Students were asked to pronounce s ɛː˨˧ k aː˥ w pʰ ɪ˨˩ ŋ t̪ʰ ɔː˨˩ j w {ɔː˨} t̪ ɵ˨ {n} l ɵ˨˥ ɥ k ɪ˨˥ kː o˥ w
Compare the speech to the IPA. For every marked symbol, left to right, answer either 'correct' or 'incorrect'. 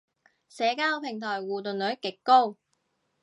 incorrect: uː˨, correct

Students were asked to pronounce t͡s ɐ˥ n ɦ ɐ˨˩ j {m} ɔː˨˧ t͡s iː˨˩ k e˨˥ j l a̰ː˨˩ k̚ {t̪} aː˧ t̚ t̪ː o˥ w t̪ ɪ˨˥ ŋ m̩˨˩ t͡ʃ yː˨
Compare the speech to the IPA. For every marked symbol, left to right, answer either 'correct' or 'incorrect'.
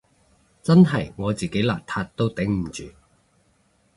incorrect: ŋ, incorrect: t̪ʰ

